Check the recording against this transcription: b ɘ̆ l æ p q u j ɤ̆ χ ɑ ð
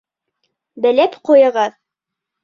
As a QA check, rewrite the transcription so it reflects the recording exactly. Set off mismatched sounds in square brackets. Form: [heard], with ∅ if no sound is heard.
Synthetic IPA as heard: b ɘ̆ l æ p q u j ɤ̆ [ʁ] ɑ ð